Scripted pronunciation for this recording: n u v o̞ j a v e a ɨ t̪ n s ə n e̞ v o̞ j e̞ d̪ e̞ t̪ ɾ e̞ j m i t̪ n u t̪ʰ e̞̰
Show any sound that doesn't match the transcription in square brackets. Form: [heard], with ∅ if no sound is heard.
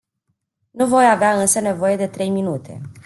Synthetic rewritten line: n u v o̞ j a v e a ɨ [∅] n s ə n e̞ v o̞ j e̞ d̪ e̞ t̪ ɾ e̞ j m i [∅] n u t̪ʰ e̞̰